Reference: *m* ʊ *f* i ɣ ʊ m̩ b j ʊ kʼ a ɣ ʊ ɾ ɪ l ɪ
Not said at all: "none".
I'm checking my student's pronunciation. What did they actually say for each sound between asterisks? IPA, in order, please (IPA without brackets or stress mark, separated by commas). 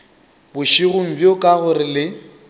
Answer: b, ʃ